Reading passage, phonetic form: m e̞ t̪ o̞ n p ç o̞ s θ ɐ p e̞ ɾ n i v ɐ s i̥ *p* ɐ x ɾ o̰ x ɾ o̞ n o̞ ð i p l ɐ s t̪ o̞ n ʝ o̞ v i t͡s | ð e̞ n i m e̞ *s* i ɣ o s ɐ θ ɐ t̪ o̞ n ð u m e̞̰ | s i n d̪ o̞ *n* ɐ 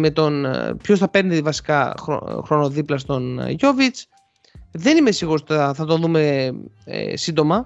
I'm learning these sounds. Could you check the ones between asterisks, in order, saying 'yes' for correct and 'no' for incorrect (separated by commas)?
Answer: no, yes, no